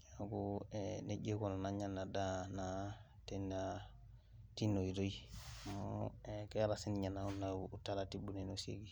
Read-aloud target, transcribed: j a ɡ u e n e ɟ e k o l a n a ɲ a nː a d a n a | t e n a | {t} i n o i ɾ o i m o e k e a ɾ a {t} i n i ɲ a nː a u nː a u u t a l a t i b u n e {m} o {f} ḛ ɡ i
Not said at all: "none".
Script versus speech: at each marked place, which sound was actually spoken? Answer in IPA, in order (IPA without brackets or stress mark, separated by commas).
t, s, n, s